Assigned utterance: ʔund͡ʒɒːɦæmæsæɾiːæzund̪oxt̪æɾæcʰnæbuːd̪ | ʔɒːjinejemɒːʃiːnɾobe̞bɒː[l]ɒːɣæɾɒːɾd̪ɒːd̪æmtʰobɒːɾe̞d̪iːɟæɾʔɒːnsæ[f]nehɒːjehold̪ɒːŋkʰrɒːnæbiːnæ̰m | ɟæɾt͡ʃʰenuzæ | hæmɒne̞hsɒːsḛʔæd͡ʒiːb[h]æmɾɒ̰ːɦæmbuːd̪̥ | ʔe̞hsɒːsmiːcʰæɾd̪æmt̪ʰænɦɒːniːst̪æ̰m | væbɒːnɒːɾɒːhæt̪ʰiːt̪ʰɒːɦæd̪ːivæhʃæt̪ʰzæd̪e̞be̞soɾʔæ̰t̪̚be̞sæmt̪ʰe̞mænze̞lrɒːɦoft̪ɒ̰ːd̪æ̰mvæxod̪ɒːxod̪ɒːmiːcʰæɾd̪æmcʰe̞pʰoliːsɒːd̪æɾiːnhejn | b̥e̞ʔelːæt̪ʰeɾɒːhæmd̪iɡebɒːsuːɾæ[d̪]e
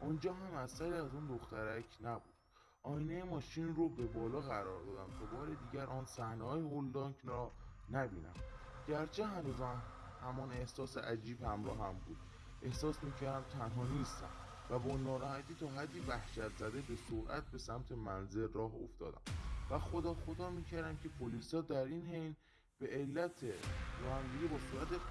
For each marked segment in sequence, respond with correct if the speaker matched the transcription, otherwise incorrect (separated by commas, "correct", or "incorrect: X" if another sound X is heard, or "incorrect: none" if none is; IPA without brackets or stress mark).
correct, incorrect: h, correct, incorrect: t̪